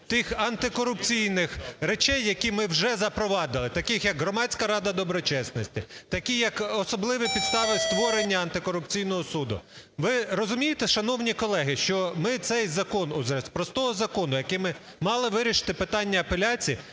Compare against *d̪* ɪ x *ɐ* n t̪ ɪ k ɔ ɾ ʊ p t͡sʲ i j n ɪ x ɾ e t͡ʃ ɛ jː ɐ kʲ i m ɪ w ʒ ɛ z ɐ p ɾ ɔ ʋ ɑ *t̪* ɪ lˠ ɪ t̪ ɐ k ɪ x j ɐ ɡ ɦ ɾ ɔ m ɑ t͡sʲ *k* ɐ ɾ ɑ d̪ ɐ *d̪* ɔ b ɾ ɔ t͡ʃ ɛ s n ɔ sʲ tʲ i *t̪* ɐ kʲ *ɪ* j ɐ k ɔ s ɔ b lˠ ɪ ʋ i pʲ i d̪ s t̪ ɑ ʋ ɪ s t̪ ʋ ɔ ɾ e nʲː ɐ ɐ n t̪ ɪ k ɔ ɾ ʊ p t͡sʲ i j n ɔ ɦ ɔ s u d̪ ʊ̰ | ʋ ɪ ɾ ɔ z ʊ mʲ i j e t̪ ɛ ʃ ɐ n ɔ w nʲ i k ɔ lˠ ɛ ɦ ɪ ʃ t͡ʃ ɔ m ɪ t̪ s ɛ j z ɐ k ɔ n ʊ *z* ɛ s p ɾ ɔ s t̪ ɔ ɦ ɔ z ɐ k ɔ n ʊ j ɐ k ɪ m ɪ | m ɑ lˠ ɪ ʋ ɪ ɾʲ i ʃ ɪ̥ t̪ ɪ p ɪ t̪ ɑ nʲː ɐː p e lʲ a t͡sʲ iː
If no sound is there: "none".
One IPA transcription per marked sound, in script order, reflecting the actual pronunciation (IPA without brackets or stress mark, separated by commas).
t̪, ɐ, d̪, k, d̪, t̪, i, z